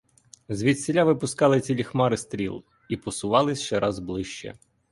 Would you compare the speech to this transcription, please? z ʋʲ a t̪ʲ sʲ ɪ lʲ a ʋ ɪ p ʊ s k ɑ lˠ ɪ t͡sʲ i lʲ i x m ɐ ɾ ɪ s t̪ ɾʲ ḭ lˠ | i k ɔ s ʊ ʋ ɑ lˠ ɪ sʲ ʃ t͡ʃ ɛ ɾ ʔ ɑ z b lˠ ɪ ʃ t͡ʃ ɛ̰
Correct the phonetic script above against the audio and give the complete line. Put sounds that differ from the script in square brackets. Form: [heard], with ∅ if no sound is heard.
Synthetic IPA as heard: z ʋʲ [i] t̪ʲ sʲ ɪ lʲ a ʋ ɪ p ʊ s k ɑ lˠ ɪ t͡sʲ i lʲ i x m [ɑ] ɾ ɪ s t̪ ɾʲ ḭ lˠ | i [p] ɔ s ʊ ʋ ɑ lˠ ɪ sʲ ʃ t͡ʃ ɛ ɾ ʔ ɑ z b lˠ ɪ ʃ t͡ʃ ɛ̰